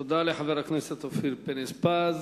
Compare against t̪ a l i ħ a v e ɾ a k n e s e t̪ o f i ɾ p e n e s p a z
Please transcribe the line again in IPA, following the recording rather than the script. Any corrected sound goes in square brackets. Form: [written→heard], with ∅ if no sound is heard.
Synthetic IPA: [t̪→d̪] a l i ħ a v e ɾ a k n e s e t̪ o f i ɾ p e n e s p a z